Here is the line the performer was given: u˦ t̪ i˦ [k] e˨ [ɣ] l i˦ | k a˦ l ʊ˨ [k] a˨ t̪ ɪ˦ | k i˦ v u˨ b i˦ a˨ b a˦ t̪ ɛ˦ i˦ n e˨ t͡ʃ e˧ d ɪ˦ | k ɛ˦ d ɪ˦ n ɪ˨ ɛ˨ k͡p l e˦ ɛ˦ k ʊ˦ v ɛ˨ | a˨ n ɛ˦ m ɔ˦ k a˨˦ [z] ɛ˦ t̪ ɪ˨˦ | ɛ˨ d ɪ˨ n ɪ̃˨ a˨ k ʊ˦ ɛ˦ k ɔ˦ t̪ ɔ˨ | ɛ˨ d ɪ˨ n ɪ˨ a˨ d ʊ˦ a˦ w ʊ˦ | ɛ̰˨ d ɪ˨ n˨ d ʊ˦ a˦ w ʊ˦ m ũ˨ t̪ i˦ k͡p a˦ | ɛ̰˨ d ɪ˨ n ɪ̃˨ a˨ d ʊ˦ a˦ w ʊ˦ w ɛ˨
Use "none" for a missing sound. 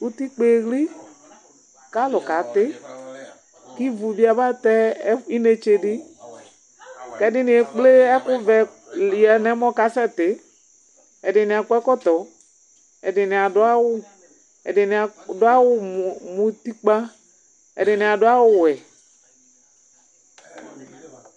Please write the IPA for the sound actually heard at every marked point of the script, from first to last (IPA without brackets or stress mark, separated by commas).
k͡p, ɣ, k, s